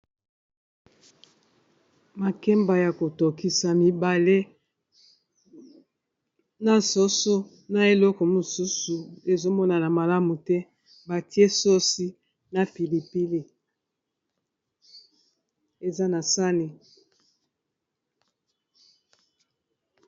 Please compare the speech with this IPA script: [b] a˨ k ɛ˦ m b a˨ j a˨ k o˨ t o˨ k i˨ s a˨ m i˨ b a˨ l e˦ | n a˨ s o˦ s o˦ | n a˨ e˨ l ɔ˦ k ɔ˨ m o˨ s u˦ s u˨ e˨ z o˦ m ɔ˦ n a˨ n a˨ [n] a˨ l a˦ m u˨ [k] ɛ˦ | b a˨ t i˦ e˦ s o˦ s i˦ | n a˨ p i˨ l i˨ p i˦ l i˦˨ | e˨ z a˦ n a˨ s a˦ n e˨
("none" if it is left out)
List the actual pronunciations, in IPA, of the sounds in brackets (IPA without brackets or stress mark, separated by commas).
m, m, t